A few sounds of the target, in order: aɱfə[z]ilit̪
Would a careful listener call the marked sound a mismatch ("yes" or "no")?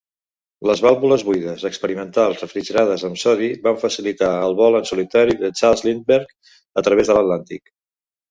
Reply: yes